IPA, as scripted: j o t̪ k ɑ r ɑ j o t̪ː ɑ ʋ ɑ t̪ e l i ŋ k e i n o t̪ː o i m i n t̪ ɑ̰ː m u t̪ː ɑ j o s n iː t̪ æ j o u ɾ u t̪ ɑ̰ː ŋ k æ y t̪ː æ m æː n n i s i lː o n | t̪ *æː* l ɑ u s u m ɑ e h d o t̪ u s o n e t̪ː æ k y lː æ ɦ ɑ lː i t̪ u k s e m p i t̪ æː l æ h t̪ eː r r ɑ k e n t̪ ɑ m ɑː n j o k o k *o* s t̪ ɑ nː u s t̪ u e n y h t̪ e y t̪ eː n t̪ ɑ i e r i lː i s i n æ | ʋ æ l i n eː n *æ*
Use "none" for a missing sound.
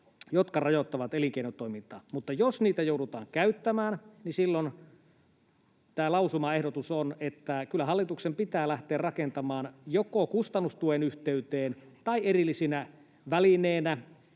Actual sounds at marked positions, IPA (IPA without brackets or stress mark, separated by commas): æː, u, æ